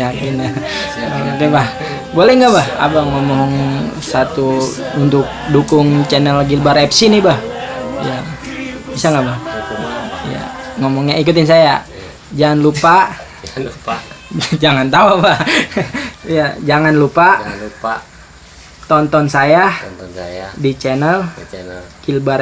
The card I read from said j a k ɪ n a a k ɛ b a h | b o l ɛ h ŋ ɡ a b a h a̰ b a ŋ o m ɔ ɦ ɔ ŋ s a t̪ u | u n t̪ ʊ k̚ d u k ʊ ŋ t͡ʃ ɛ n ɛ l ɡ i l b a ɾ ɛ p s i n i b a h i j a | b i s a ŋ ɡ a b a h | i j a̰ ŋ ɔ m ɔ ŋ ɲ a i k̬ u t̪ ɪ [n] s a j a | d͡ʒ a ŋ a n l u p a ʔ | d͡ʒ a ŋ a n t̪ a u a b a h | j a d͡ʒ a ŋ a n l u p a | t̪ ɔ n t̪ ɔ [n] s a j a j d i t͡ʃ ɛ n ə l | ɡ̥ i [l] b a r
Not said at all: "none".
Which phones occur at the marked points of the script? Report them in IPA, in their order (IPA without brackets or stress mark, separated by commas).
n, n, l